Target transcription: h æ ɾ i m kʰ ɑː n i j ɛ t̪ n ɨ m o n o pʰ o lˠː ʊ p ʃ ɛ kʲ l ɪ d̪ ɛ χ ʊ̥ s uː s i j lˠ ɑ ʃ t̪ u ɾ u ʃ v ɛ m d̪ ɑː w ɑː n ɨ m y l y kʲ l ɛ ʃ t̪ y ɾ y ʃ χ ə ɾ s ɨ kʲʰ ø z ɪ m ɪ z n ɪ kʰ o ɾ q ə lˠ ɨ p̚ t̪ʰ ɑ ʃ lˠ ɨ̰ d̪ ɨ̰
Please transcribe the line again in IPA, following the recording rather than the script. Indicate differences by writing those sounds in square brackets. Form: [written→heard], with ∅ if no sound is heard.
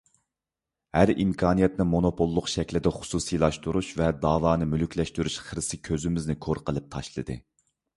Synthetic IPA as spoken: h æ ɾ i m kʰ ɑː n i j ɛ t̪ n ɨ m o n o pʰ o lˠː ʊ [p→q] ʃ ɛ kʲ l ɪ d̪ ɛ χ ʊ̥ s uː s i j lˠ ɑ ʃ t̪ u ɾ u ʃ v ɛ [m→∅] d̪ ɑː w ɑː n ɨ m y l y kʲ l ɛ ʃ t̪ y ɾ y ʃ χ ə ɾ s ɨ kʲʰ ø z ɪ m ɪ z n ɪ kʰ o ɾ q ə lˠ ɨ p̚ t̪ʰ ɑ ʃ lˠ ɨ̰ d̪ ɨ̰